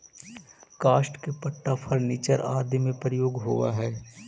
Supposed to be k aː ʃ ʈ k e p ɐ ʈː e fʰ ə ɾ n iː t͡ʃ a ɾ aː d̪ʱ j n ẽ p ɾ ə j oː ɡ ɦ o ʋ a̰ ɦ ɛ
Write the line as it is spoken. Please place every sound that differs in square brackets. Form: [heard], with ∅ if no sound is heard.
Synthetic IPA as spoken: k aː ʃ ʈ k e p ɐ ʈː [a] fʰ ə ɾ n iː t͡ʃ [ə] ɾ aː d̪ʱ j [m] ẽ p ɾ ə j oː ɡ ɦ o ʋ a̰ ɦ [ɛː]